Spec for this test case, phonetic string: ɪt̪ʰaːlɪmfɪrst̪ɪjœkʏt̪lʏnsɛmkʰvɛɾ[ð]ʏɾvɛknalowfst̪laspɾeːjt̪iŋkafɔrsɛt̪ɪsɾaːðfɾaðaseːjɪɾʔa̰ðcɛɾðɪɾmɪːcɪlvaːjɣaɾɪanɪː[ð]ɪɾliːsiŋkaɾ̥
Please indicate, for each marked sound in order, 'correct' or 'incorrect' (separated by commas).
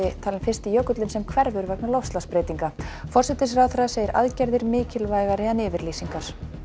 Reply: incorrect, incorrect